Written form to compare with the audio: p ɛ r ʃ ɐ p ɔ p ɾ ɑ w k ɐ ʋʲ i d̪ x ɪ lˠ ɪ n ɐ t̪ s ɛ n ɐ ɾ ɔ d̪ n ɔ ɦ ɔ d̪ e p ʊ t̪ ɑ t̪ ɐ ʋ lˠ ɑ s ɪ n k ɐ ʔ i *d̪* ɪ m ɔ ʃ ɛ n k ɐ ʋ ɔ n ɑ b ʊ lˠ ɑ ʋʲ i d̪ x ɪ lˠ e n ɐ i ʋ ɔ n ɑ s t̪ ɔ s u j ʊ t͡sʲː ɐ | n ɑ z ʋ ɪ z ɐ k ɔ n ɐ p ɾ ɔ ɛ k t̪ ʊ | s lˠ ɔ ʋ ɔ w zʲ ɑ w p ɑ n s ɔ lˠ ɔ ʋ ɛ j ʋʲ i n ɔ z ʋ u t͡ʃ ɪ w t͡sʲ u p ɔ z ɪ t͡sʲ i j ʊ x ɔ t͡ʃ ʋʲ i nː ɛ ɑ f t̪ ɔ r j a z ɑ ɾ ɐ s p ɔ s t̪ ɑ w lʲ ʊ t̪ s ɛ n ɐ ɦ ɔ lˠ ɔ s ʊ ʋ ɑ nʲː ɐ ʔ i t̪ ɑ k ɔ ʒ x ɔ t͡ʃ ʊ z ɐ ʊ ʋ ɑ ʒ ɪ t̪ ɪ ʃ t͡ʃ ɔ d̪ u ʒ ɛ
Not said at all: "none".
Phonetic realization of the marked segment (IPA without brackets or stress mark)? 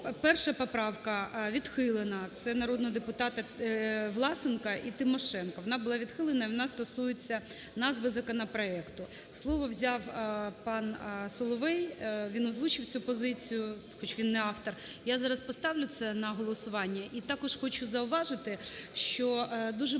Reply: t̪